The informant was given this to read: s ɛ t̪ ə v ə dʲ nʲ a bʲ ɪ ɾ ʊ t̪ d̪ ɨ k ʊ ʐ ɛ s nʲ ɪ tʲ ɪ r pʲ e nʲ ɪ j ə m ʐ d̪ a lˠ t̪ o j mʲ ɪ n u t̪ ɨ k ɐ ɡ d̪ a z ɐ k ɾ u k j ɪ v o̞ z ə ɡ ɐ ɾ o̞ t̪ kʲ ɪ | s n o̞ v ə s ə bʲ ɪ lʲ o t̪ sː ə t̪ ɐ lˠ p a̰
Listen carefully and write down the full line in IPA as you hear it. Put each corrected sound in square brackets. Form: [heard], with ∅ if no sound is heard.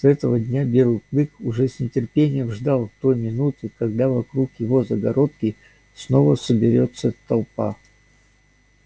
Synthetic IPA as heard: s ɛ t̪ ə v ə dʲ nʲ a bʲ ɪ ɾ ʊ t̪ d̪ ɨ k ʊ ʐ ɛ s nʲ ɪ tʲ ɪ r pʲ e nʲ ɪ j ə m ʐ d̪ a lˠ t̪ o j mʲ ɪ n u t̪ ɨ k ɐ ɡ d̪ a [v] ɐ k ɾ u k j ɪ v o̞ z ə ɡ ɐ ɾ o̞ t̪ kʲ ɪ | s n o̞ v ə s ə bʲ ɪ [ɾʲ] o t̪ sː ə t̪ ɐ lˠ p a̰